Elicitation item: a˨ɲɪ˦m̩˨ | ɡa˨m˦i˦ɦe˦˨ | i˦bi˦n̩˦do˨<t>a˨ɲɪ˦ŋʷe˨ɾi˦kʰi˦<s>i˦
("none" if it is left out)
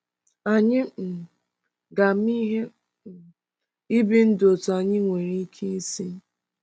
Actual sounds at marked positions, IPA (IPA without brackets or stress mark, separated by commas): t, s